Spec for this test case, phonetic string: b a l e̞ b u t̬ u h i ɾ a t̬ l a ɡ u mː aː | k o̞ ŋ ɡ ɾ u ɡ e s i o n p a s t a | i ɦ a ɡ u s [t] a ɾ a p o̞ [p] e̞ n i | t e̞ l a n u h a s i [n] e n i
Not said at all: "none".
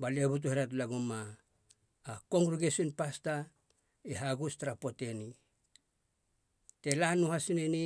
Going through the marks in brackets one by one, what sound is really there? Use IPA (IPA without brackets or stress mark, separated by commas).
t, t, n